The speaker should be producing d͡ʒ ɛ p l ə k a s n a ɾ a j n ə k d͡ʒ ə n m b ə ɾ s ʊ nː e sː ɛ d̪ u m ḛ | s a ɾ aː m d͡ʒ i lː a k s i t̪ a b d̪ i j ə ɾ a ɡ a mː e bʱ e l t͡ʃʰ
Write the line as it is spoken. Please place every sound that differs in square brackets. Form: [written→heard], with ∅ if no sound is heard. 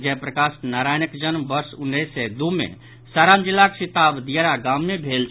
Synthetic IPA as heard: d͡ʒ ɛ p [l→ɾ] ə k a s n a ɾ a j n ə k d͡ʒ ə n m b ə ɾ s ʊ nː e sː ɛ d̪ u m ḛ | s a ɾ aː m d͡ʒ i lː a k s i t̪ a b d̪ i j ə ɾ a ɡ a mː e bʱ e l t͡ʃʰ